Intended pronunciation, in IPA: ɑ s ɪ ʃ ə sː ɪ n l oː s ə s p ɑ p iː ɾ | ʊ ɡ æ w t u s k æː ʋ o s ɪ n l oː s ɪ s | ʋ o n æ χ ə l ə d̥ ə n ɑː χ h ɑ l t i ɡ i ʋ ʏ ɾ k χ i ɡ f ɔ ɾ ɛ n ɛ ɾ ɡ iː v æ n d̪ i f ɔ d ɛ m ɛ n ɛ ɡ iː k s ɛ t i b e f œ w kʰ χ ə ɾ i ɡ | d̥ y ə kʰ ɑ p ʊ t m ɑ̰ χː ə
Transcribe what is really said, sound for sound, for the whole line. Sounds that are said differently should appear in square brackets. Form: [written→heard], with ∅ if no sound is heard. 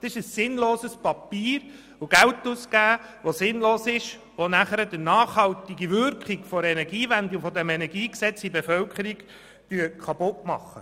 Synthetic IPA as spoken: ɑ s ɪ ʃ ə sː ɪ n l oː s ə s p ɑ p iː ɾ | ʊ ɡ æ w t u s k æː ʋ o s ɪ n l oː s ɪ [s→ʃ] | ʋ o n æ χ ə [l→ɾ] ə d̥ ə n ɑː χ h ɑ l t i ɡ i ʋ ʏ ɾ k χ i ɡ f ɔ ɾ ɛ n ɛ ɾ ɡ iː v æ n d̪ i f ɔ d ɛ m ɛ n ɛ ɡ iː k s ɛ [t→t͡s] i b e f œ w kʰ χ ə ɾ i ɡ | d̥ y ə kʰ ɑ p ʊ t m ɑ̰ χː ə

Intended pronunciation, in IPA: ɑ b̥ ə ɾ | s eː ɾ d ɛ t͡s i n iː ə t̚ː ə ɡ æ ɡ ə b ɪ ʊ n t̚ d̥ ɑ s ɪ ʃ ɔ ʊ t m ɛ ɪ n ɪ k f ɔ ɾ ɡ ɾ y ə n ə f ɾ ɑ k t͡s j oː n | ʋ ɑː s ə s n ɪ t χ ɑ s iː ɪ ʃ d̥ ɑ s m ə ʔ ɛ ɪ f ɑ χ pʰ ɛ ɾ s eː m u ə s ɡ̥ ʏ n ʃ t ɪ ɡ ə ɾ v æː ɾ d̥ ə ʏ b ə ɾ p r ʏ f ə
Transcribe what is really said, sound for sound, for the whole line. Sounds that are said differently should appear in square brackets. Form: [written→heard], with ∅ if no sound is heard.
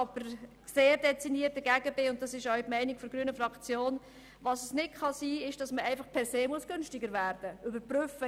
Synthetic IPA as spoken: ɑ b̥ ə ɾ | s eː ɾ d ɛ t͡s i n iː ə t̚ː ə ɡ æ ɡ ə b ɪ ʊ n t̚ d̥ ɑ s ɪ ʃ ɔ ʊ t m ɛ ɪ n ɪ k f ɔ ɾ ɡ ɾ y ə n ə f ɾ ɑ k t͡s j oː n | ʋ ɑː s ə s n ɪ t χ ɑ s iː ɪ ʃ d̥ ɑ s m ə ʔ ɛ ɪ f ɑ χ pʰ ɛ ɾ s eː m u ə s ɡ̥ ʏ n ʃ t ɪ ɡ ə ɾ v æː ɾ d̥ ə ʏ b ə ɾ p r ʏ f ə

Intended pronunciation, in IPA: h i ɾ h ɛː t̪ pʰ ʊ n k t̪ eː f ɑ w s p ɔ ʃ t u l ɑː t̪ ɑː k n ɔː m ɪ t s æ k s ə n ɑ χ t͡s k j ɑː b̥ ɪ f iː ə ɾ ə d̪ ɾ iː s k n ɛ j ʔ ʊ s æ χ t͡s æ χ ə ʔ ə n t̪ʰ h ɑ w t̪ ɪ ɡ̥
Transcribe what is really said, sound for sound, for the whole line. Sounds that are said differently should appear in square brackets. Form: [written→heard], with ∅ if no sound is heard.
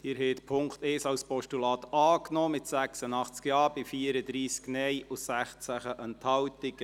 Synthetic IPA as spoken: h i ɾ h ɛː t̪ pʰ ʊ [n→ŋ] k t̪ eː [f→s] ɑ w s p ɔ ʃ t u l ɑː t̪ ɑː k n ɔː m ɪ t s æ k s ə n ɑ χ t͡s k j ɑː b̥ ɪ f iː ə ɾ ə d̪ ɾ iː s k n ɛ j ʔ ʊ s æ χ t͡s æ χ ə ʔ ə n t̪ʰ h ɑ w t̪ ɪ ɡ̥

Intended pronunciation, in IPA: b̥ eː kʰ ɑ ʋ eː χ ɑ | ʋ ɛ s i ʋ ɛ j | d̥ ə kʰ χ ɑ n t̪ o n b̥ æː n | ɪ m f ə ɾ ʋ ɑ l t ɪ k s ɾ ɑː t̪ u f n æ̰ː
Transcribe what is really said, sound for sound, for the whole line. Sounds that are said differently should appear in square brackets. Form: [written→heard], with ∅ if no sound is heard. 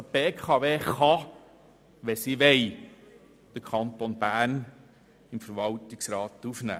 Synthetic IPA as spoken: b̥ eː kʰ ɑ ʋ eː χ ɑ | ʋ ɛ s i ʋ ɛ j | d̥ ə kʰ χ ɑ n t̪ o n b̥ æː n | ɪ m f ə ɾ ʋ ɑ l t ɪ k s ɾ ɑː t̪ u f n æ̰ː

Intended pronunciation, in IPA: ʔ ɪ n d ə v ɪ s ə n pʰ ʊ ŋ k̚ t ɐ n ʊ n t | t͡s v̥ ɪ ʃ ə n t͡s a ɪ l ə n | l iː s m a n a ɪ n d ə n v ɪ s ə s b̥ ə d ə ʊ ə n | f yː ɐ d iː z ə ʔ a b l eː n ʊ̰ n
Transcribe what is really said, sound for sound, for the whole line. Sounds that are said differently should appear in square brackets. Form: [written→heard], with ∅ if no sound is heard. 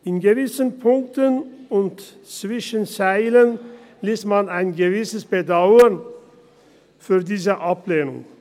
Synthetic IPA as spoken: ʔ ɪ n [d→ɡ] ə v ɪ s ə n pʰ ʊ ŋ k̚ t [ɐ→ə] n ʊ n t | t͡s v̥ ɪ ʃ ə n t͡s a ɪ l ə n | l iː s m a n a ɪ n [d→ɡ] ə [n→∅] v ɪ s ə s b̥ ə d [ə→a] ʊ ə n | f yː ɐ d iː z ə ʔ a [b→p] l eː n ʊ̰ [n→ŋ]

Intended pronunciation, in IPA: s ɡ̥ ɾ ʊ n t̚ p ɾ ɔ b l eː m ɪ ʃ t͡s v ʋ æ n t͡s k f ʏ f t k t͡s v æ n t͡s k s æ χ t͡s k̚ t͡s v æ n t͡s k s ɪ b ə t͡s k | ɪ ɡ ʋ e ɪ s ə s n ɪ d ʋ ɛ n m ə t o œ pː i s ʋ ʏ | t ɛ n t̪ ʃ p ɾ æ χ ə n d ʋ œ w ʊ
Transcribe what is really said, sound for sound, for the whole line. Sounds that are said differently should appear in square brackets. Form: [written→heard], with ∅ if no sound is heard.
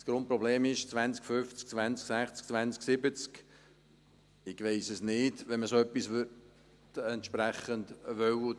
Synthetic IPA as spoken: s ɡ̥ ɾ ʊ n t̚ p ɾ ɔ b l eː m ɪ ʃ t͡s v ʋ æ n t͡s k f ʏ f [t→t͡s] k t͡s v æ n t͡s k s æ χ t͡s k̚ t͡s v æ n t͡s k s ɪ b ə t͡s k | ɪ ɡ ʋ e ɪ s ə s n ɪ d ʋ ɛ n m ə [t→s] o œ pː i s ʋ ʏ | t ɛ n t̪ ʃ p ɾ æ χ ə n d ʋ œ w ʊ

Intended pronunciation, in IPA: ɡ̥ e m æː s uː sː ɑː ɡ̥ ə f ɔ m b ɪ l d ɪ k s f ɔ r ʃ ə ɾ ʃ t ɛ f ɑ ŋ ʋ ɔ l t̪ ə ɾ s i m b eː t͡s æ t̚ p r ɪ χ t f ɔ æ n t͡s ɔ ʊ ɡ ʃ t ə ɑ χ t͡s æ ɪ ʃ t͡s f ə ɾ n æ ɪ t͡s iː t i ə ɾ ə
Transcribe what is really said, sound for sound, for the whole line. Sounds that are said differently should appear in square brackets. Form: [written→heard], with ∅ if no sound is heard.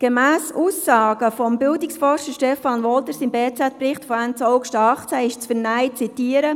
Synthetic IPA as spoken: ɡ̥ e m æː s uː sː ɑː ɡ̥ ə f ɔ m b ɪ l d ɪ k s f ɔ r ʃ ə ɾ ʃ t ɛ f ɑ [ŋ→n] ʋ ɔ l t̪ ə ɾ s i m b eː t͡s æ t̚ p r ɪ χ t f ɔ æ n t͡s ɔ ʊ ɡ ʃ t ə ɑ χ t͡s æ ɪ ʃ t͡s f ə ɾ n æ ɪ t͡s [iː→i] t i ə ɾ ə

